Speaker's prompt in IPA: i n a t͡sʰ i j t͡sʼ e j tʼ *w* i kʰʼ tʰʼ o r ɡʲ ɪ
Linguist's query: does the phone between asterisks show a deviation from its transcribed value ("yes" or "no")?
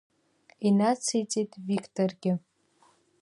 yes